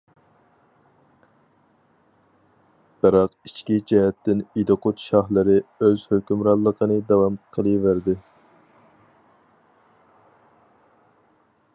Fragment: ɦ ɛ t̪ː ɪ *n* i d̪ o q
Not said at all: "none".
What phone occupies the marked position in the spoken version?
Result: n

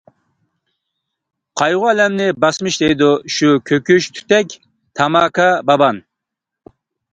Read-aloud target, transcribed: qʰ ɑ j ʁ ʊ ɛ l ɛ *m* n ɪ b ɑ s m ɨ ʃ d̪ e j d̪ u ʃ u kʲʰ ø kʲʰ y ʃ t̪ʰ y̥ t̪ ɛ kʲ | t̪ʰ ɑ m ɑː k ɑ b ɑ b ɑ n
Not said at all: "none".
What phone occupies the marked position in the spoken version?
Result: m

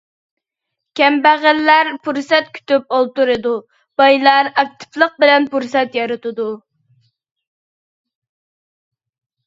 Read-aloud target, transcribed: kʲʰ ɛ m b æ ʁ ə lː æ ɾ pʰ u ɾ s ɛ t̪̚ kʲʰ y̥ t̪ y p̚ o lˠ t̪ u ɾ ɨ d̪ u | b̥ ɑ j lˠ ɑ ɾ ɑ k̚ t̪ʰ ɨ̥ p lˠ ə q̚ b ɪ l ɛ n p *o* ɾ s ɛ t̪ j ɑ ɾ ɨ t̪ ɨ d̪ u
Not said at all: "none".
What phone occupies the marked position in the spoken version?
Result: u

